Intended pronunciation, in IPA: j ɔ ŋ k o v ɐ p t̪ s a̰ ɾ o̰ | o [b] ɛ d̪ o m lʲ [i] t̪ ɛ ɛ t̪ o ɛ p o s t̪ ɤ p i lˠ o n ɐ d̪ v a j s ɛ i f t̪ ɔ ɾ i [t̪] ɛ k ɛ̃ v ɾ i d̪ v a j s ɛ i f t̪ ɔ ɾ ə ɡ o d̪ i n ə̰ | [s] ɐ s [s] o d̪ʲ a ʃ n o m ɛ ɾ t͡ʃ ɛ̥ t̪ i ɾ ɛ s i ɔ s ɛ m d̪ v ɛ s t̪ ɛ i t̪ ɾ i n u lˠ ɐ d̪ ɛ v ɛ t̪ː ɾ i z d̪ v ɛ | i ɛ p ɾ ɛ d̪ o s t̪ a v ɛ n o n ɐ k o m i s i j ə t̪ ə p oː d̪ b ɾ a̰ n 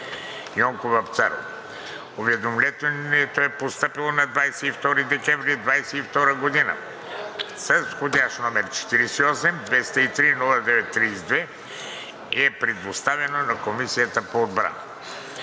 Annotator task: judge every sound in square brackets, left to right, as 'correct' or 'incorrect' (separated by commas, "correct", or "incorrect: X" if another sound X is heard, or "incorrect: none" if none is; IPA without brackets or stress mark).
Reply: incorrect: v, incorrect: ɛ, incorrect: d̪, correct, incorrect: x